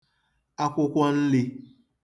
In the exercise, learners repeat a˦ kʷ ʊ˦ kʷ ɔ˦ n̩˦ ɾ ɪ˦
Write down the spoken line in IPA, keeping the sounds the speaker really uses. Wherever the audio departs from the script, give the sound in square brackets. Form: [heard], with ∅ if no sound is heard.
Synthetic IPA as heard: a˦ kʷ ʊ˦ kʷ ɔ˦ n̩˦ [l] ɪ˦